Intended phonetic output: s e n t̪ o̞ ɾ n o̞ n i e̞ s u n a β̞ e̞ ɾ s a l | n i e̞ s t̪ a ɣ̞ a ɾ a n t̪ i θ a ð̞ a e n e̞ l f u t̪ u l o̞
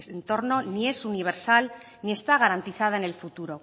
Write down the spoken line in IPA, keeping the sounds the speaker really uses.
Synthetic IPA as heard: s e n t̪ o̞ ɾ n o̞ n i e̞ s u n i β̞ e̞ ɾ s a l | n i e̞ s t̪ a ɣ̞ a ɾ a n t̪ i θ a ð̞ a e n e̞ l f u t̪ u ɾ o̞